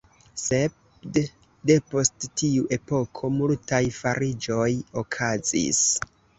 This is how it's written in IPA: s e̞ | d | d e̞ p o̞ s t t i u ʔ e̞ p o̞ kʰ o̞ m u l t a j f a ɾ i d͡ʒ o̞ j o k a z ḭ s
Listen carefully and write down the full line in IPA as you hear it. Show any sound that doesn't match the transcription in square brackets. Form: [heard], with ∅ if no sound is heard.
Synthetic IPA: s e̞ | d | d e̞ p o̞ s t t i u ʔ e̞ p o̞ kʰ o̞ m u l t a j f a ɾ i d͡ʒ o̞ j o [kʰ] a z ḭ s